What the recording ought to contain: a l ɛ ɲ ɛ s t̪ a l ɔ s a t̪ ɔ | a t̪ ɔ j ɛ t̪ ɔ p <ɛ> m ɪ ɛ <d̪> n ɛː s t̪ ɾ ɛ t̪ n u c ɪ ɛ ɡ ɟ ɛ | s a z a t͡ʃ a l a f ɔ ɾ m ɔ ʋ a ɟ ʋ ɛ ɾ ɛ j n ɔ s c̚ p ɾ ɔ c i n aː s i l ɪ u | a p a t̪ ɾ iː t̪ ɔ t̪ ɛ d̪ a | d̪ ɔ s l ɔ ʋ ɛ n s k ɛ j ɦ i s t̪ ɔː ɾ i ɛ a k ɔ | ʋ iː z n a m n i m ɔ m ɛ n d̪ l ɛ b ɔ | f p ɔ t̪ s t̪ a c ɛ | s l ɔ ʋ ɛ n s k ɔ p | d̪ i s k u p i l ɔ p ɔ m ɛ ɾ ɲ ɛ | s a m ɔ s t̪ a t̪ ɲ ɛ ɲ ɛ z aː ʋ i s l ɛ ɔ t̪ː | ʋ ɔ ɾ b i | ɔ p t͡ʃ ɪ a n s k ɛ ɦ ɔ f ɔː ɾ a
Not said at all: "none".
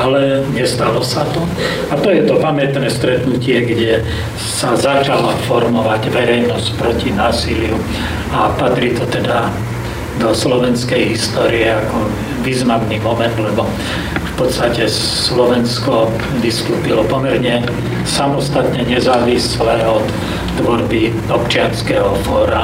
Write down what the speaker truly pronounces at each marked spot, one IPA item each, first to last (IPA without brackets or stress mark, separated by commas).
a, t̪